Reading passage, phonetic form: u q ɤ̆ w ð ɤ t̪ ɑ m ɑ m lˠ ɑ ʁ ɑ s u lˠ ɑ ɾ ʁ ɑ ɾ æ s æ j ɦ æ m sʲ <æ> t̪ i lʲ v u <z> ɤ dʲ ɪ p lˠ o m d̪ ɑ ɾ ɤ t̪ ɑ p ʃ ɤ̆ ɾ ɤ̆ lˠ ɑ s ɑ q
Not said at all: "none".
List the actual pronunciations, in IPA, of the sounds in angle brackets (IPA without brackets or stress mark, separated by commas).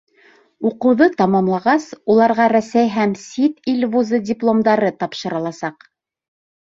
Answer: i, z